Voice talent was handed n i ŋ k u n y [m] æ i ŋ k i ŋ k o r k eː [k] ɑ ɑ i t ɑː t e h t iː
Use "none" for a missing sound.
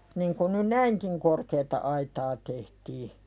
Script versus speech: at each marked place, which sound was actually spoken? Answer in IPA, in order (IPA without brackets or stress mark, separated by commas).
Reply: n, t